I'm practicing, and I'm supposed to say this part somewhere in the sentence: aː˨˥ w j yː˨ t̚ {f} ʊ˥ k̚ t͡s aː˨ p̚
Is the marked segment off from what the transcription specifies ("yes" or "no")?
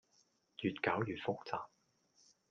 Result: no